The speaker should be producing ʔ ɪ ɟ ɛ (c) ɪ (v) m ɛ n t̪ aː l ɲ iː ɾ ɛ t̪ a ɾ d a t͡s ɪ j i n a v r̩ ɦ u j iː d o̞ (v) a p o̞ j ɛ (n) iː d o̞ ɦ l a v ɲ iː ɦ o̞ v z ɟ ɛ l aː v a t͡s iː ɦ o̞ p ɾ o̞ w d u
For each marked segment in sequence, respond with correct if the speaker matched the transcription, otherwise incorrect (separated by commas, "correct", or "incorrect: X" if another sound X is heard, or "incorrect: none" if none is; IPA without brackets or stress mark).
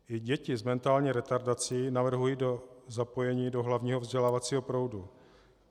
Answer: correct, incorrect: z, incorrect: z, incorrect: ɲ